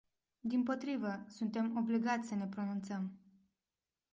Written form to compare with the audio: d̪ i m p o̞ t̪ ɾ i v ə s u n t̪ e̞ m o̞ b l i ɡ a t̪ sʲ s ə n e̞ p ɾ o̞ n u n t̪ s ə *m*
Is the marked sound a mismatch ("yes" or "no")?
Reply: no